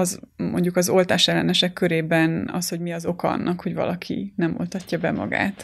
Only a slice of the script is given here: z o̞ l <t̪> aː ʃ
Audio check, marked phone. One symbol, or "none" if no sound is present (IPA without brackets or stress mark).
t̪